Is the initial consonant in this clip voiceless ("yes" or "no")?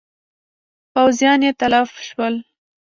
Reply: yes